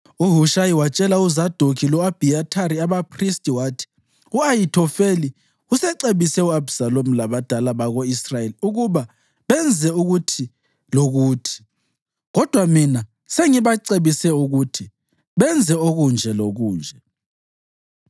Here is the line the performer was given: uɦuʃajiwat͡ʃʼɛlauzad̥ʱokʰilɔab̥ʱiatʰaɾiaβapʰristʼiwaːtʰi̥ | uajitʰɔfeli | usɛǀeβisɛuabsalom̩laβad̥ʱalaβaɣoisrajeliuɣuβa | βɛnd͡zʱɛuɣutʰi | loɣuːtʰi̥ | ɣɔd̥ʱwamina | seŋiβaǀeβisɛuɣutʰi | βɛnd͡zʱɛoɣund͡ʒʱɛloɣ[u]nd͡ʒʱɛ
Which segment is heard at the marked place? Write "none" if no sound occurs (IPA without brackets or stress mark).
uː